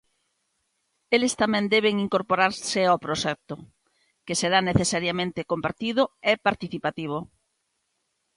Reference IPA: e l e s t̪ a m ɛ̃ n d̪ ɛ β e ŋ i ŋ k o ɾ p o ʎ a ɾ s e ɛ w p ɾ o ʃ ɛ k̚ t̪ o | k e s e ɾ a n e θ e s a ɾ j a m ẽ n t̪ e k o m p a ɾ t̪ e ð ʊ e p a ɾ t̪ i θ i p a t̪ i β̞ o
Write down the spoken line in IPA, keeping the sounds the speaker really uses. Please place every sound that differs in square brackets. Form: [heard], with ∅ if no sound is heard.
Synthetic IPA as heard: e l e s t̪ a m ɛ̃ n d̪ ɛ β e ŋ i ŋ k o ɾ p o [ɾ] a ɾ s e [a] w p ɾ o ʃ ɛ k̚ t̪ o | k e s e ɾ a n e θ e s a ɾ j a m ẽ n t̪ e k o m p a ɾ t̪ [i] ð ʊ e p a ɾ t̪ i θ i p a t̪ i β̞ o